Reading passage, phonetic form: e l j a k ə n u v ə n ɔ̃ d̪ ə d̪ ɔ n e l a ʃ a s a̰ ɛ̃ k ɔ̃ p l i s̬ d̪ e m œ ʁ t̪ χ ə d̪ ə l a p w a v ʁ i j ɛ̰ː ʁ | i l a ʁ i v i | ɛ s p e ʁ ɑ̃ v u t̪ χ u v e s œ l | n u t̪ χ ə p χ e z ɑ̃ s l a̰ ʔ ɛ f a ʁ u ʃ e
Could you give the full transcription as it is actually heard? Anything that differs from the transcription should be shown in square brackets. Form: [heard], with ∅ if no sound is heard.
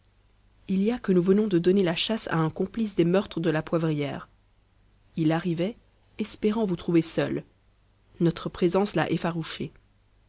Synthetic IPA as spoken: [i] l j a k ə n u v ə n ɔ̃ d̪ ə d̪ ɔ n e l a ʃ a s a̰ ɛ̃ k ɔ̃ p l i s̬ d̪ e m œ ʁ t̪ χ ə d̪ ə l a p w a v ʁ i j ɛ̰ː ʁ | i l a ʁ i v [ɛ] | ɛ s p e ʁ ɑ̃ v u t̪ χ u v e s œ l | n [ɔ] t̪ χ ə p χ e z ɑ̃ s l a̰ ʔ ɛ f a ʁ u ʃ e